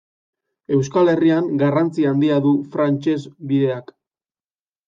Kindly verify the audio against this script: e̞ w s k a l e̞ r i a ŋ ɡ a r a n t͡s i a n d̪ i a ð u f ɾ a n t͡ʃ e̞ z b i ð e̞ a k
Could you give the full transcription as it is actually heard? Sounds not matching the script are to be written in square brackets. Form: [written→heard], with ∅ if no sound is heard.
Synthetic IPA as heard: e̞ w s k a l e̞ r i a ŋ ɡ a r a n t͡s i a n d̪ i a ð u f ɾ a n t͡ʃ e̞ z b i ð e̞ a k

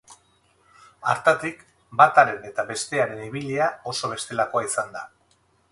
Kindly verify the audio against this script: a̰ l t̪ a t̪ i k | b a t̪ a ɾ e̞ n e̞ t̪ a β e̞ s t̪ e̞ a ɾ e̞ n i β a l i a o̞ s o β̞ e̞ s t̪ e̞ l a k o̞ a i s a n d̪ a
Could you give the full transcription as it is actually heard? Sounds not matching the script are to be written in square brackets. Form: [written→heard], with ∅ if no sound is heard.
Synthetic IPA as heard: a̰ [l→ɾ] t̪ a t̪ i k | b a t̪ a ɾ e̞ n e̞ t̪ a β e̞ s t̪ e̞ a ɾ e̞ n i β [a→i] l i a o̞ s o β̞ e̞ s t̪ e̞ l a k o̞ a i s a n d̪ a

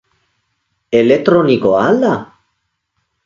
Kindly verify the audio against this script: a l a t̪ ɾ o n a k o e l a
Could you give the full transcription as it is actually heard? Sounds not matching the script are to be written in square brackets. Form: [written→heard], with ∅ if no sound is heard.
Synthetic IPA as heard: [a→e] l [a→e] t̪ ɾ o n [a→i] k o [e→a] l a

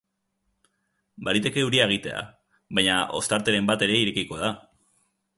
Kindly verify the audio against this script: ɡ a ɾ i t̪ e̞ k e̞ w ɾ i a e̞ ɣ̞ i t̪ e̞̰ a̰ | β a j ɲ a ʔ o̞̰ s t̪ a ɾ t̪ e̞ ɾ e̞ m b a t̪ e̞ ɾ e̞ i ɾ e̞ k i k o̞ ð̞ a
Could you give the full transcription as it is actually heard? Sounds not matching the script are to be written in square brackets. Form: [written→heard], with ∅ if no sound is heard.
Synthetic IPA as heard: [ɡ→b] a ɾ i t̪ e̞ k e̞ [w→u] ɾ i a e̞ ɣ̞ i t̪ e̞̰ a̰ | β a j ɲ a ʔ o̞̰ s t̪ a ɾ t̪ e̞ ɾ e̞ m b a t̪ e̞ ɾ e̞ i ɾ e̞ k i k o̞ ð̞ a

